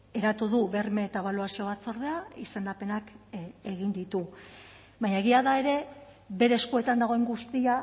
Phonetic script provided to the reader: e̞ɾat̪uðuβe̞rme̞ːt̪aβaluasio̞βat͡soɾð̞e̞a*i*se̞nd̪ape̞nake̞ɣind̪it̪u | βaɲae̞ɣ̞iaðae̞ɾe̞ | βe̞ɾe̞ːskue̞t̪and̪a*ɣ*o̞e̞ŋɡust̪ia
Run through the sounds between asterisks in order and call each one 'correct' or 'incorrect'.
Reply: correct, correct

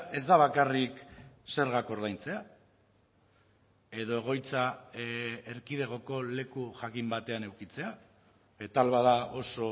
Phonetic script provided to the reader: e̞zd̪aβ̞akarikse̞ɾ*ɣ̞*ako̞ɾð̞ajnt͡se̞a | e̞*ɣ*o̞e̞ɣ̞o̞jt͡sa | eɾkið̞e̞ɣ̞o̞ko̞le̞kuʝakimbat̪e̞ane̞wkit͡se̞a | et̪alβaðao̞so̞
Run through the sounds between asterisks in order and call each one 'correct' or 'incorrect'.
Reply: correct, incorrect: ð

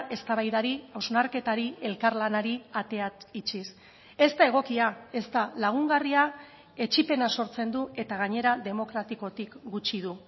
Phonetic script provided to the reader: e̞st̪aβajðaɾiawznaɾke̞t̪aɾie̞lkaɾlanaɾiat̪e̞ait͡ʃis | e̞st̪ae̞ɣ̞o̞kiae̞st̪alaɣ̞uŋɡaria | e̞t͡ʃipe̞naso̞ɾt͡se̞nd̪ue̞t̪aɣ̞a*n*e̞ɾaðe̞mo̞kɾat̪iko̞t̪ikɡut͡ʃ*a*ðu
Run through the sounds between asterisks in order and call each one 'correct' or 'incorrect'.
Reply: incorrect: ɲ, incorrect: i

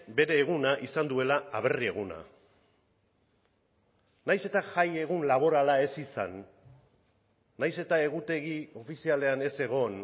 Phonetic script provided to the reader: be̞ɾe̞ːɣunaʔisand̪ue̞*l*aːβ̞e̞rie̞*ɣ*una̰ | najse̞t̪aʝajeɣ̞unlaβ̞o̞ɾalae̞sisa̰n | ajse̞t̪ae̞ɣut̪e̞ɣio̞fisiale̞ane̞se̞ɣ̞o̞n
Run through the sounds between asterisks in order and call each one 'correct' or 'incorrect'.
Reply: correct, correct

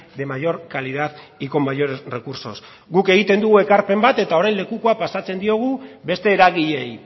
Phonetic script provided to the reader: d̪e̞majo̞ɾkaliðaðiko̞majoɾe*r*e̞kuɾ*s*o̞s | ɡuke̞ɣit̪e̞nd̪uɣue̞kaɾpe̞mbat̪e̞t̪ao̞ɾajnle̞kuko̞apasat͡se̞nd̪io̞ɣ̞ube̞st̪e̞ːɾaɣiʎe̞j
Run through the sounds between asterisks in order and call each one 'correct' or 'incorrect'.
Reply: correct, correct

